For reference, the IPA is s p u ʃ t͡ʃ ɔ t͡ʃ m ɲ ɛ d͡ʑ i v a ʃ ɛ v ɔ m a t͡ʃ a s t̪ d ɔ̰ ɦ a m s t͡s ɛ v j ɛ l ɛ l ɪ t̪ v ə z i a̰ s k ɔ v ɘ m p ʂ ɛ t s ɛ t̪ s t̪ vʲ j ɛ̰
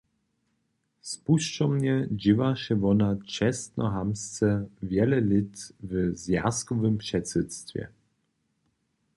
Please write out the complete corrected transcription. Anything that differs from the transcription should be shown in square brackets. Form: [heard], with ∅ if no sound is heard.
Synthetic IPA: s p u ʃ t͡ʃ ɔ [∅] m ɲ ɛ d͡ʑ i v a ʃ ɛ v ɔ [n] a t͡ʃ [ɛ] s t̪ [n] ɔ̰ ɦ a m s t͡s ɛ v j ɛ l ɛ l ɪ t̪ v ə z [j] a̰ s k ɔ v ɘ m p ʂ ɛ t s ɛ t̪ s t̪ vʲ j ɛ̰